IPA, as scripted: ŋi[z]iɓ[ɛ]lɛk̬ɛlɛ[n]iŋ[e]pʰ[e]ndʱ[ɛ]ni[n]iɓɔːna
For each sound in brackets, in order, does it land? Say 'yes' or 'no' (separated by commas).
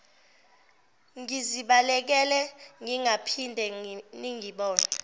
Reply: yes, no, no, no, no, yes, no